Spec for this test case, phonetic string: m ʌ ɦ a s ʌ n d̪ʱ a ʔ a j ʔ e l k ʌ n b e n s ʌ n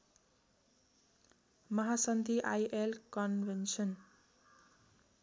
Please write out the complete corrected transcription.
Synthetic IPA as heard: m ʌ ɦ a s ʌ n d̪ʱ i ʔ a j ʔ e l k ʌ n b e n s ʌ n